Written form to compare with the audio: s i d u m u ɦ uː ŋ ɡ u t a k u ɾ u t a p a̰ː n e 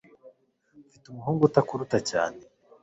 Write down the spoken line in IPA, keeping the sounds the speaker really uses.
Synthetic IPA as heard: f i t u m u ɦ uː ŋ ɡ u t a k u ɾ u t a c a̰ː n e